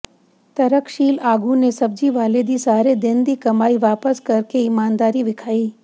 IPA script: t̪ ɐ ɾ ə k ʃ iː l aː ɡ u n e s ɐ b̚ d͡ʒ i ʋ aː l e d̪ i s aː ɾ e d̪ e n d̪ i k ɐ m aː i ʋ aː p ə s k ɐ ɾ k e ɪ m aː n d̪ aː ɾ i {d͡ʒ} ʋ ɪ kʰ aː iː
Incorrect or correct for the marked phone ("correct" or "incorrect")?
incorrect